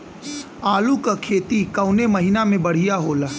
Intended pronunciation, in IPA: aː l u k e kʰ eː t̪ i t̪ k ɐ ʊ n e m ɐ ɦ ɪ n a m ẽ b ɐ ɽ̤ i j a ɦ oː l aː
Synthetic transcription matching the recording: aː l u k a kʰ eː t̪ i k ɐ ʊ n e m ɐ ɦ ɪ n a m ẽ b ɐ ɽ̤ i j a ɦ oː l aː

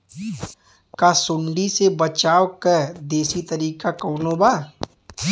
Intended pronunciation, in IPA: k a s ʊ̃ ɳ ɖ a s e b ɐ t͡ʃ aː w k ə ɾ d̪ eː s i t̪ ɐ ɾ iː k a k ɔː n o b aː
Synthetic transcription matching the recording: k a s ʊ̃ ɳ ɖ i s e b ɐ t͡ʃ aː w k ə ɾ d̪ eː s i t̪ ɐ ɾ iː k a k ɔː n o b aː

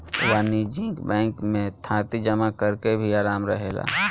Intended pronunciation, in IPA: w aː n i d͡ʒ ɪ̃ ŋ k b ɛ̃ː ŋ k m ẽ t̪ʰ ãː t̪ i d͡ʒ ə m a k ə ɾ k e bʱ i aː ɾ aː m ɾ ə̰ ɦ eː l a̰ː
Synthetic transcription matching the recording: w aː n i d͡ʒ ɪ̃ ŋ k b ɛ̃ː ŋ k m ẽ t̪ʰ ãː t̪ i d͡ʒ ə m a k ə ɾ k e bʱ i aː ɾ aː m ɾ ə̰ ɦ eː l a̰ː

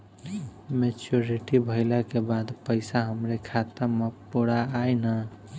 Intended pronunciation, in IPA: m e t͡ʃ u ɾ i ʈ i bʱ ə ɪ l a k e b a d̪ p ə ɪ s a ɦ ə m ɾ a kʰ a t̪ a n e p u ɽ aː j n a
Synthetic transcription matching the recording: m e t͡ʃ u ɾ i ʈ i bʱ ə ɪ l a k e b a d̪ p ə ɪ s a ɦ ə m ɾ e kʰ a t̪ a m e p u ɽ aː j n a

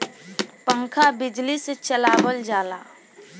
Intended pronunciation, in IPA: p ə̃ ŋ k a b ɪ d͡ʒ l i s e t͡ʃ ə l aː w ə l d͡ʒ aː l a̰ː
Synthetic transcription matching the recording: p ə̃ ŋ kʰ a b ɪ d͡ʒ l i s e t͡ʃ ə l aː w ə l d͡ʒ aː l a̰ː

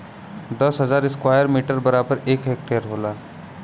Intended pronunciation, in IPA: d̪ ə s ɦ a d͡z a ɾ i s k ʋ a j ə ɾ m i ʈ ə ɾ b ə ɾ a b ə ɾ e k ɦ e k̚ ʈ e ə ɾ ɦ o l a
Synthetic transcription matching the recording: d̪ ə s ɦ ə d͡z a ɾ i s k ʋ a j ə ɾ m i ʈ ə ɾ b ə ɾ a b ə ɾ e k ɦ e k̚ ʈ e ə ɾ ɦ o l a

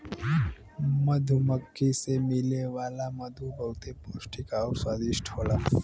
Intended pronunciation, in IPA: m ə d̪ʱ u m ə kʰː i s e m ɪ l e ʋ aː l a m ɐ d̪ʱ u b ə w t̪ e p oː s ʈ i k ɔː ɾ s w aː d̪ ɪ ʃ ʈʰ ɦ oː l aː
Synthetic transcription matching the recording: m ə d̪ʱ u m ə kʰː i s e m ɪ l e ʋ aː l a m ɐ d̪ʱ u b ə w t̪ e p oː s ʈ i k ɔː ɾ s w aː d̪ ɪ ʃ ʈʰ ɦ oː l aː

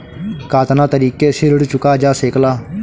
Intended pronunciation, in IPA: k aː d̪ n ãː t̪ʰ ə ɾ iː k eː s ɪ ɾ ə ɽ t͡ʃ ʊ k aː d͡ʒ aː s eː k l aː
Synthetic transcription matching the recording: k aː t̪ n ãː t̪ ə ɾ iː k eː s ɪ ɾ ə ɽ t͡ʃ ʊ k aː d͡ʒ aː s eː k l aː

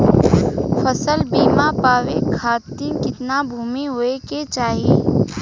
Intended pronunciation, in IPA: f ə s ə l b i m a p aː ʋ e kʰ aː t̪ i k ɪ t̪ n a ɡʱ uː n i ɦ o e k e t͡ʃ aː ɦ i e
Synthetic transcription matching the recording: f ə s ə l b iː m a p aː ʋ e kʰ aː t̪ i k ɪ t̪ n a bʱ uː m i ɦ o e k e t͡ʃ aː ɦ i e

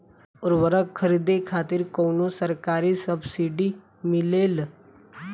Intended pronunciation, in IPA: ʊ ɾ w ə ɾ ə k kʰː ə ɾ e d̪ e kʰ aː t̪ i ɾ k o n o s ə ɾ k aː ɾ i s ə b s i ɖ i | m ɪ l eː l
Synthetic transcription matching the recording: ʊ ɾ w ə ɾ ə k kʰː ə ɾ i d̪ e kʰ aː t̪ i ɾ k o n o s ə ɾ k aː ɾ i s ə b s i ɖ i | m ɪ l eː l

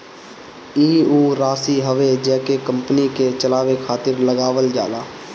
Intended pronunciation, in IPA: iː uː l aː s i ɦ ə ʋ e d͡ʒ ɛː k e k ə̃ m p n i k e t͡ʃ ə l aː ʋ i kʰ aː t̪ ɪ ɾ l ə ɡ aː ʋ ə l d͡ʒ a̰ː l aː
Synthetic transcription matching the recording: iː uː ɾ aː s i ɦ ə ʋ e d͡ʒ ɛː k e k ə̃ m p n i k e t͡ʃ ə l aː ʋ e kʰ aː t̪ ɪ ɾ l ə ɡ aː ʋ ə l d͡ʒ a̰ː l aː

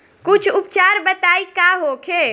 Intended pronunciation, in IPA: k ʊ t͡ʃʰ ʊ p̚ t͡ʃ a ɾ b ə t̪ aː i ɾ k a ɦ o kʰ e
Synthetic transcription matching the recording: k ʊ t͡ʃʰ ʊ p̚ t͡ʃ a ɾ b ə t̪ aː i k a ɦ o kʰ e

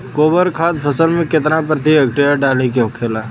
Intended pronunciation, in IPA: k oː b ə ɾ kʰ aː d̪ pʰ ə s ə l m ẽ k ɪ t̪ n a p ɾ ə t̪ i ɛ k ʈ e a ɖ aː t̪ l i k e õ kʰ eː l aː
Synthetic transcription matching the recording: k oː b ə ɾ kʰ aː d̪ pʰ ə s ə l m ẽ k ɪ t̪ n a p ɾ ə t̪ i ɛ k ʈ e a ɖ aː l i k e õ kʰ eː l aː

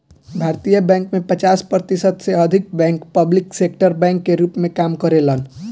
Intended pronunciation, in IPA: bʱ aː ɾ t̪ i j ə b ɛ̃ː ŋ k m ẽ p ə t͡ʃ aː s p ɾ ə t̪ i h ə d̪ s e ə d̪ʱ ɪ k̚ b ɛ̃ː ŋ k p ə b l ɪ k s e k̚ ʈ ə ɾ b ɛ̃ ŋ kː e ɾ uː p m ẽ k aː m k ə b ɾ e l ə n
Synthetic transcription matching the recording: bʱ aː ɾ t̪ i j ə b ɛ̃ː ŋ k m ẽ p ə t͡ʃ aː s p ɾ ə t̪ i s ə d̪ s e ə d̪ʱ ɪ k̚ b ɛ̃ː ŋ k p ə b l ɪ k s e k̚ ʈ ə ɾ b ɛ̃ ŋ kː e ɾ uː p m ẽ k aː m k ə ɾ e l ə n

